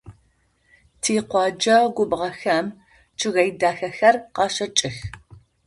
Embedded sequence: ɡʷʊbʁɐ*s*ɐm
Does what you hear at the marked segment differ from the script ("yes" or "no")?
yes